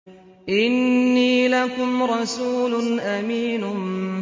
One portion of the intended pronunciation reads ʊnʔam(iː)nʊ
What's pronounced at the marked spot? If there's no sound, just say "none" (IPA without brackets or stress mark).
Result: iː